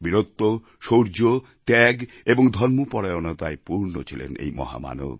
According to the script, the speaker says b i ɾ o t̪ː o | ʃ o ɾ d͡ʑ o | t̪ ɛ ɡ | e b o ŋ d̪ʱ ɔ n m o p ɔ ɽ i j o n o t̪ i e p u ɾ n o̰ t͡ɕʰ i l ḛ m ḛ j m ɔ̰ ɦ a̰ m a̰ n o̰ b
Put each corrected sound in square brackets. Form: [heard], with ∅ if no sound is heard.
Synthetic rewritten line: b i ɾ o t̪ː o | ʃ o ɾ d͡ʑ o | t̪ ɛ ɡ | e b o ŋ d̪ʱ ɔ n m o p ɔ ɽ [a] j o n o t̪ [a] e p u ɾ n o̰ t͡ɕʰ i l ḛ [n] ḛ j m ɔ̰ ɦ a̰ m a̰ n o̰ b

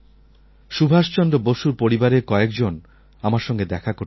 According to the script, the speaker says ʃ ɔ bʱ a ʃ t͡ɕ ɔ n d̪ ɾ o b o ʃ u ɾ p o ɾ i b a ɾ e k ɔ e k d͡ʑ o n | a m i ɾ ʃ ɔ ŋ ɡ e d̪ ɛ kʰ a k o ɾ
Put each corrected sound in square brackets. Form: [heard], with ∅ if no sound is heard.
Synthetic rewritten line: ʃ [u] bʱ a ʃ t͡ɕ ɔ n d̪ ɾ o b o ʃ u ɾ p o ɾ i b a ɾ e k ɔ e k d͡ʑ o n | a m [a] ɾ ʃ ɔ ŋ ɡ e d̪ ɛ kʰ a k o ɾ

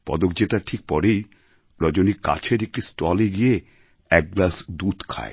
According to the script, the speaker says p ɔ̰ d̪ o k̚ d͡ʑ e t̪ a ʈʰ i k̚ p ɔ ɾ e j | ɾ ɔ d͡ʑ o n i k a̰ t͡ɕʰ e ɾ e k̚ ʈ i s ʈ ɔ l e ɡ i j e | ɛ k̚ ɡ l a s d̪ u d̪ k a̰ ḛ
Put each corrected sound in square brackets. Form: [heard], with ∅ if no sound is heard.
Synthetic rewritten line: p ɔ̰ d̪ o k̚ d͡ʑ e t̪ a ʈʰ i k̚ p ɔ ɾ e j | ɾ ɔ d͡ʑ o n i k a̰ t͡ɕʰ e ɾ e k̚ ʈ i s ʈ ɔ l e ɡ i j e | ɛ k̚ ɡ l a s d̪ u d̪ [kʰ] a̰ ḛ

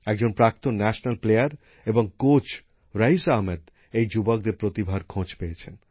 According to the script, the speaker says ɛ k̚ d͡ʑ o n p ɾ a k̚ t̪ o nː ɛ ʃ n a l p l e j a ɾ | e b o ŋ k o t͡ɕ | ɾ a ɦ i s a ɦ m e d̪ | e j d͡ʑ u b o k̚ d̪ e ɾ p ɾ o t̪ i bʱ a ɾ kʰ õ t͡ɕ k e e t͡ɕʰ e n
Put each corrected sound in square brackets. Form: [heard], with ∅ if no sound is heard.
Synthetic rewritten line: ɛ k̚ d͡ʑ o n p ɾ a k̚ t̪ o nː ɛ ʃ n a l p l e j a ɾ | e b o ŋ k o t͡ɕ | ɾ a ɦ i s a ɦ m e d̪ | e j d͡ʑ u b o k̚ d̪ e ɾ p ɾ o t̪ i bʱ a ɾ kʰ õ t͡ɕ [p] e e t͡ɕʰ e n

